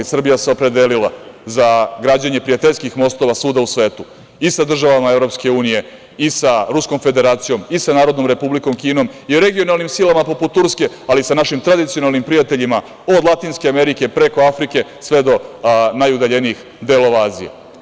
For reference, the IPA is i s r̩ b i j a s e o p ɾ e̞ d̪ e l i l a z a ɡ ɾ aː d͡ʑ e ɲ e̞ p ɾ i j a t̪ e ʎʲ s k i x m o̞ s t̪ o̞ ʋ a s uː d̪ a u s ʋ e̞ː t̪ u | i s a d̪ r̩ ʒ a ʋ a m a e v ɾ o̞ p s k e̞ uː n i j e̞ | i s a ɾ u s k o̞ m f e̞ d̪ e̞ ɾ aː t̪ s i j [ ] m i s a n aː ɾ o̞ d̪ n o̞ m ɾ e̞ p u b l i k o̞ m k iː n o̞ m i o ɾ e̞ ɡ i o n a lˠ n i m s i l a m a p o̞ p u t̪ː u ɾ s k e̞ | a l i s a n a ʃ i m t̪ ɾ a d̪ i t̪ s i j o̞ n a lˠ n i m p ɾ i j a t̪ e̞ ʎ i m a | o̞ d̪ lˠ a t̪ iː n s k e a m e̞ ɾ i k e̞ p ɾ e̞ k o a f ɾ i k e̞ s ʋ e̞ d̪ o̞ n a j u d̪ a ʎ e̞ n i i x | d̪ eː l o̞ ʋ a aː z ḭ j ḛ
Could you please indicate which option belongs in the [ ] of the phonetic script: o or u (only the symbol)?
o